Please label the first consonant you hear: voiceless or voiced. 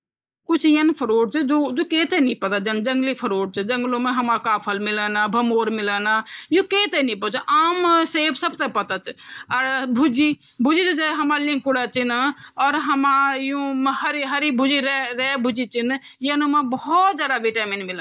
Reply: voiceless